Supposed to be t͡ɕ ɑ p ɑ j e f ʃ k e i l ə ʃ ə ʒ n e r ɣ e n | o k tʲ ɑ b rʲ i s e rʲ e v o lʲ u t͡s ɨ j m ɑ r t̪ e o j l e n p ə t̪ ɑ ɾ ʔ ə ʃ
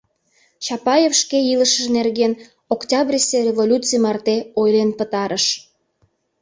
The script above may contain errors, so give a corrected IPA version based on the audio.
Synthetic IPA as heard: t͡ɕ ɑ p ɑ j e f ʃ k e i l ə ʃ ə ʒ n e r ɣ e n | o k tʲ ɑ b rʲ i s e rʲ e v o lʲ u t͡s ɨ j m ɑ r t̪ e o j l e n p ə t̪ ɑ ɾ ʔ ə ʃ